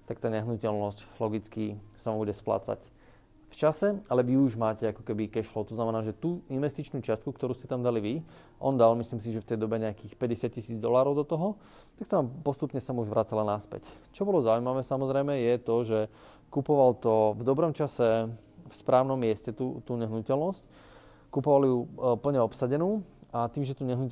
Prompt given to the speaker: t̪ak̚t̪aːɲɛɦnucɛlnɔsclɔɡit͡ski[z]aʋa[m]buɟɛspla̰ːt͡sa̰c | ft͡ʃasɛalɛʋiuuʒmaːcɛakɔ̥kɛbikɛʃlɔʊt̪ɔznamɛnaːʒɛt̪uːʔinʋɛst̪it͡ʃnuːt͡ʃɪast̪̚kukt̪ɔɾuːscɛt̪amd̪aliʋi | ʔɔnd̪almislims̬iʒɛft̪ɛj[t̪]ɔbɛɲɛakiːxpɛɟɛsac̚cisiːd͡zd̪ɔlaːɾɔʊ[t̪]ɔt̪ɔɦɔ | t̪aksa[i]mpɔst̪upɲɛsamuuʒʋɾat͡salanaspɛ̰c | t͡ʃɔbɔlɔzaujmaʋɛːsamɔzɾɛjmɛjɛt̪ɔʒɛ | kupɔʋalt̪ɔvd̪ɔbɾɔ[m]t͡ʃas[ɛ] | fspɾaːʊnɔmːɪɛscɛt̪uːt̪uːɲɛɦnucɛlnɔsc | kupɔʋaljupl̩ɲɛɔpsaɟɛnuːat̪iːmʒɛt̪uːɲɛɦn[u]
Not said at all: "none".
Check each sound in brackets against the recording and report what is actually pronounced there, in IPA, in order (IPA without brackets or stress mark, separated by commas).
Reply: s, m, d̪, d̪, a, m, ɛ, u